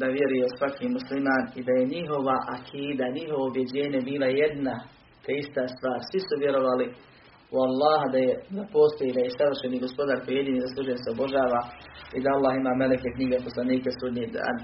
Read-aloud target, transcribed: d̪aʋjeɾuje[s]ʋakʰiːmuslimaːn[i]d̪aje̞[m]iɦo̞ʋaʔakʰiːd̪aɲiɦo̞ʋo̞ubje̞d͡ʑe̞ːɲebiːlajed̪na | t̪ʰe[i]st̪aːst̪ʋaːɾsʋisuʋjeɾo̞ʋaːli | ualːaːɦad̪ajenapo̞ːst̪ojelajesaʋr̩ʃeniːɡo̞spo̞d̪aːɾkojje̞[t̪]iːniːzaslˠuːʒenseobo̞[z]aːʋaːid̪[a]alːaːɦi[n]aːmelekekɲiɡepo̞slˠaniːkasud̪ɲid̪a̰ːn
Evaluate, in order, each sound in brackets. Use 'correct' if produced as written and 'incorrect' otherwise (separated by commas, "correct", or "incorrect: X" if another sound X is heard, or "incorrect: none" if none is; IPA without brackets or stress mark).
correct, correct, incorrect: ɲ, correct, incorrect: d̪, incorrect: ʒ, correct, incorrect: m